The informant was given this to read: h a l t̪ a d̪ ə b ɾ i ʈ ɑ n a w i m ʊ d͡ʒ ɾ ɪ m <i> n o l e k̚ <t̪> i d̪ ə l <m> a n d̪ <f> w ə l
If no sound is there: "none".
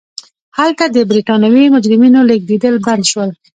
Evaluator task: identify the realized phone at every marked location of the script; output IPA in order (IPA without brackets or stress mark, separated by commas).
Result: i, d̪, b, ʃ